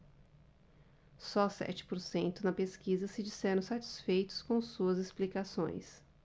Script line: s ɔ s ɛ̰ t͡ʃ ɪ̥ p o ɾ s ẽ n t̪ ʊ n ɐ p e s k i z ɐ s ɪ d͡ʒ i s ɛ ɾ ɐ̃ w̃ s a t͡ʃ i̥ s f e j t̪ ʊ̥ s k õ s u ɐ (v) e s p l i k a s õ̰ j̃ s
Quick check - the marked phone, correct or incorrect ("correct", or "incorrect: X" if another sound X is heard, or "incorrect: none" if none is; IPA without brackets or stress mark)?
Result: incorrect: z